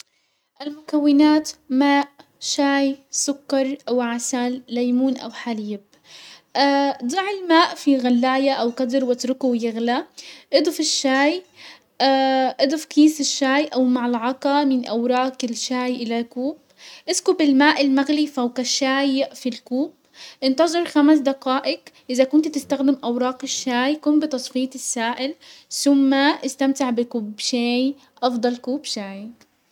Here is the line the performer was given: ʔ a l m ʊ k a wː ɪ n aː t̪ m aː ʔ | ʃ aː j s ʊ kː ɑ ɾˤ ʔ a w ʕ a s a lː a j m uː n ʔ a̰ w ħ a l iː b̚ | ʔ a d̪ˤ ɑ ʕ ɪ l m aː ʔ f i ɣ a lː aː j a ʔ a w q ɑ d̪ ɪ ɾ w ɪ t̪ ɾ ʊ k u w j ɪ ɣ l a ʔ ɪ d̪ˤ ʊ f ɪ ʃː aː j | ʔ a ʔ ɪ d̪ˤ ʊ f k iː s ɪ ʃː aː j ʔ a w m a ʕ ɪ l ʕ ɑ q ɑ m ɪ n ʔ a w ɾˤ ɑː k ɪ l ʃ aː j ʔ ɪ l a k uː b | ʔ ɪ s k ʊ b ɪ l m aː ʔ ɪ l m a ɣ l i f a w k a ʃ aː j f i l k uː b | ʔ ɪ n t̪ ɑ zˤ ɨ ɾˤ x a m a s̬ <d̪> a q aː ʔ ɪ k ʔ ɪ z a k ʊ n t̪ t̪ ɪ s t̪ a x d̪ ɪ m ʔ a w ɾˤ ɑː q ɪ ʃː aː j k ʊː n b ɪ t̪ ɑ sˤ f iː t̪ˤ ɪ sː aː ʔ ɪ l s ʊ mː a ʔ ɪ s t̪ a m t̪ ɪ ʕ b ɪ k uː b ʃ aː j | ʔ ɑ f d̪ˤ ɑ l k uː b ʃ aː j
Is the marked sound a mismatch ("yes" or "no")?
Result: no